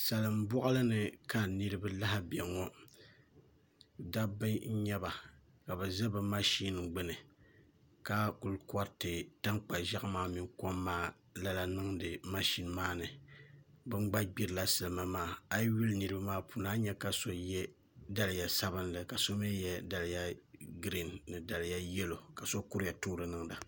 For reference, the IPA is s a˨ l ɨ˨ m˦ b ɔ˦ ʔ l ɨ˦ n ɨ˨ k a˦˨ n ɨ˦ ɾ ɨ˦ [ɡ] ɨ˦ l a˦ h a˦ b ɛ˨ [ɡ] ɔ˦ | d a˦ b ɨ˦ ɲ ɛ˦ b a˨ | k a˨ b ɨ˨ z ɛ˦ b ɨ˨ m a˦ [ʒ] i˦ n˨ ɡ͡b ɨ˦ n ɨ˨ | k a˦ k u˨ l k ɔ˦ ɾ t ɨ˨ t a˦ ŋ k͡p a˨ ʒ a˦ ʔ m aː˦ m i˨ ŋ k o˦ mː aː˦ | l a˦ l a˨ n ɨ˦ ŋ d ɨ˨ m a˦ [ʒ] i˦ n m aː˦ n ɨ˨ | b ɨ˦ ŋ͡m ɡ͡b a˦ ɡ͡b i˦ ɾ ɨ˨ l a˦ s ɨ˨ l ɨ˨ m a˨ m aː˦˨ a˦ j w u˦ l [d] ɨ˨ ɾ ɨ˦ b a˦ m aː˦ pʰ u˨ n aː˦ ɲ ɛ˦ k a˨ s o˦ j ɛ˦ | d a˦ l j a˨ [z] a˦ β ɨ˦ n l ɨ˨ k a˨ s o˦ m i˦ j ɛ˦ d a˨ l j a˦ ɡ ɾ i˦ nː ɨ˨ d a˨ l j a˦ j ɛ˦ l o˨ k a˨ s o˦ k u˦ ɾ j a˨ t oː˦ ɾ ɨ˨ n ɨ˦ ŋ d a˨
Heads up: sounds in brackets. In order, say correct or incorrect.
incorrect: b, incorrect: ŋ, incorrect: ʃ, incorrect: ʃ, incorrect: n, incorrect: s

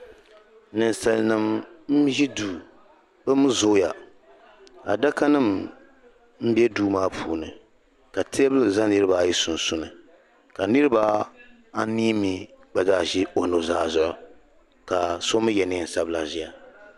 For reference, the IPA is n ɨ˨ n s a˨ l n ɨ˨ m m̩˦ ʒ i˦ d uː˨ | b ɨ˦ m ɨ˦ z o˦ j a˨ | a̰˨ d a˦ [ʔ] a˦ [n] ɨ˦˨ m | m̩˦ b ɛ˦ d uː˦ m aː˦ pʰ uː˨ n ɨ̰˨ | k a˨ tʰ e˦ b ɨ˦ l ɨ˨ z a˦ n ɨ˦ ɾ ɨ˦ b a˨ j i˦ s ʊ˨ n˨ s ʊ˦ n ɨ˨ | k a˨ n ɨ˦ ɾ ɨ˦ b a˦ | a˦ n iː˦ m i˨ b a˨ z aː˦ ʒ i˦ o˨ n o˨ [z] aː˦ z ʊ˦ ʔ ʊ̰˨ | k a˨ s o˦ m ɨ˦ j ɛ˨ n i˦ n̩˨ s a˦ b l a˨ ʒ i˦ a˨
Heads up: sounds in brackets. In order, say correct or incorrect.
incorrect: k, correct, correct

